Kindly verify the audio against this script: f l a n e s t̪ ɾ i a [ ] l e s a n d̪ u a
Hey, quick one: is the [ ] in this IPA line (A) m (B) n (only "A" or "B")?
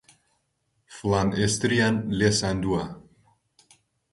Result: B